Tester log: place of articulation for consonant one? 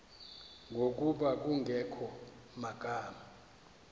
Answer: velar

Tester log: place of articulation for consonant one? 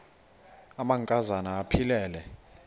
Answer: labial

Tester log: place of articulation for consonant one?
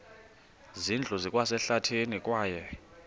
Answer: alveolar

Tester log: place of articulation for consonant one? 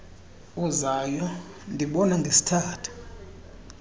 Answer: alveolar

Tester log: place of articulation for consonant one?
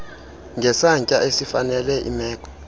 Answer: velar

